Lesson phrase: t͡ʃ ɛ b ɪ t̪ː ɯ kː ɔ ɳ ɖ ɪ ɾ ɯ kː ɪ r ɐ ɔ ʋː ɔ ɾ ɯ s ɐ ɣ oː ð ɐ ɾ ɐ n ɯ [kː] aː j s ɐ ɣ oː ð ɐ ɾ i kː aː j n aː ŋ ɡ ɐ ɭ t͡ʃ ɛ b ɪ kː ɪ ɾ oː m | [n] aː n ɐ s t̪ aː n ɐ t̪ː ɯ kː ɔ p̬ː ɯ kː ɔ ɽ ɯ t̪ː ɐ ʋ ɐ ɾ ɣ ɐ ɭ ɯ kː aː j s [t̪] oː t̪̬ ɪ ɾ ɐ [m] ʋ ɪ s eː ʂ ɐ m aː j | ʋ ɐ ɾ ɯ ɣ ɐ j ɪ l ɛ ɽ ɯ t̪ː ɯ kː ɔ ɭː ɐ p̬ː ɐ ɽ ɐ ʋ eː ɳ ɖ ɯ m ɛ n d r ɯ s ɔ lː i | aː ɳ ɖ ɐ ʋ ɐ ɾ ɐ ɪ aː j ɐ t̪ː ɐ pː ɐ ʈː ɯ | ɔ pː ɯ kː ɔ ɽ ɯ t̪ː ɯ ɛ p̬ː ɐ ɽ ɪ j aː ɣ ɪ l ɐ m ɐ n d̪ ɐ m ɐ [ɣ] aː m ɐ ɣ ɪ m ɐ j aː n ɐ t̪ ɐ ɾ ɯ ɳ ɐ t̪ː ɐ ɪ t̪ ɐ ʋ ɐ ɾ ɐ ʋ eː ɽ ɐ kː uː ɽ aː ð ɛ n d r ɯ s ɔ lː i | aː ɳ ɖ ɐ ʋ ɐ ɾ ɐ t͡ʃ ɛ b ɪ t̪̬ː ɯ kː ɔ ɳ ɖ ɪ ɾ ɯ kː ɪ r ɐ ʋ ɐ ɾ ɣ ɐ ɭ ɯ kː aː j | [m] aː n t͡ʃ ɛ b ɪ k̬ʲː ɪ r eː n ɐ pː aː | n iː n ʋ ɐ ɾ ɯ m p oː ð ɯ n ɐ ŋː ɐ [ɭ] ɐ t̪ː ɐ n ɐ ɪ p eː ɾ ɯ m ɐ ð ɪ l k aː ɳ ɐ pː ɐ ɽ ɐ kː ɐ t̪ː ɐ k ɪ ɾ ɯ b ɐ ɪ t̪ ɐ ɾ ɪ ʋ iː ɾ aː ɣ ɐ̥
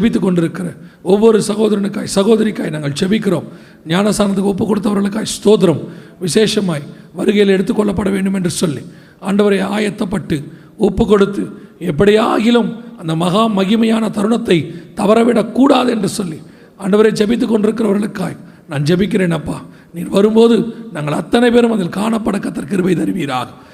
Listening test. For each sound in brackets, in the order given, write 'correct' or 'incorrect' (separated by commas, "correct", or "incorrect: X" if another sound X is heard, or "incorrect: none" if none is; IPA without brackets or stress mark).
correct, incorrect: ɲ, correct, correct, correct, incorrect: n, correct